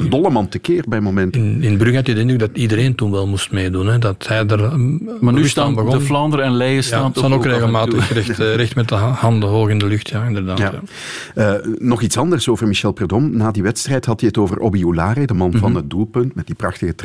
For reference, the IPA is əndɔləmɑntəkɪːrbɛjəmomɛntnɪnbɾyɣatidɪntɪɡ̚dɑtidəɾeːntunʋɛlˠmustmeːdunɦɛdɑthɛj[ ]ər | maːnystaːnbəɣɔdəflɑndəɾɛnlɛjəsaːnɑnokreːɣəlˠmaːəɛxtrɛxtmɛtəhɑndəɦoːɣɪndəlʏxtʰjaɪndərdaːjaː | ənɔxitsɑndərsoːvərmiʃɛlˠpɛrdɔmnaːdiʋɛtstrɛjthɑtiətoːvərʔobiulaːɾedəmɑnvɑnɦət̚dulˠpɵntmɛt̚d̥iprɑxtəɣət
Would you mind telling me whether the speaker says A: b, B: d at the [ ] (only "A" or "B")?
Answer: B